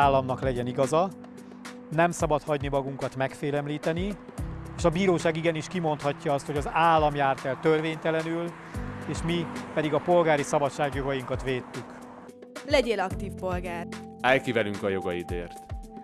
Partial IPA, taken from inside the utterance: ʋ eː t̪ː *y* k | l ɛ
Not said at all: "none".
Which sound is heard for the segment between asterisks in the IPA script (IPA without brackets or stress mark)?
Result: y